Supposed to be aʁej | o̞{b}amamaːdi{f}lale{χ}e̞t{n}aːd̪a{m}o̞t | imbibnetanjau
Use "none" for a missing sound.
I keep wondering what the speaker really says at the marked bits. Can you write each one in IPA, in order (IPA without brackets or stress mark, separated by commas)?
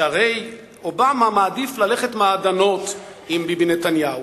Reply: b, f, χ, m, n